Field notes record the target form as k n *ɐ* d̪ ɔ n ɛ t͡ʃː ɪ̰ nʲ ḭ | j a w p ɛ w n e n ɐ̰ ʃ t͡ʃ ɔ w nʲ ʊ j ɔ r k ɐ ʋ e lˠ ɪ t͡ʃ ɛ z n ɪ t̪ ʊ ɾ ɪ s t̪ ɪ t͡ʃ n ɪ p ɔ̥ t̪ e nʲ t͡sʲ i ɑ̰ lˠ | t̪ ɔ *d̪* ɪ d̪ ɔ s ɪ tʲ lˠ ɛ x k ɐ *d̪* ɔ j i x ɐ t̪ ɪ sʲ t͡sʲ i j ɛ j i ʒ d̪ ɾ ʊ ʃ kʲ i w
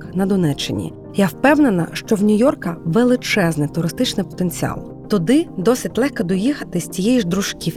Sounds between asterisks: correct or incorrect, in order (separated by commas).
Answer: correct, correct, correct